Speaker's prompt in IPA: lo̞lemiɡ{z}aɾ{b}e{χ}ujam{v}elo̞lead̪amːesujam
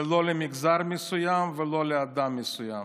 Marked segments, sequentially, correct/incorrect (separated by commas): correct, incorrect, incorrect, correct